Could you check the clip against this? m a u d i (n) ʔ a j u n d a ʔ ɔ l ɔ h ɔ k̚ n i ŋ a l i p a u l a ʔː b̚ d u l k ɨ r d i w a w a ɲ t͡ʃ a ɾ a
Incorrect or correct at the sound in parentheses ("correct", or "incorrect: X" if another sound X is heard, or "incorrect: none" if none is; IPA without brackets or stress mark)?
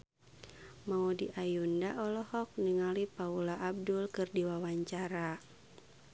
incorrect: none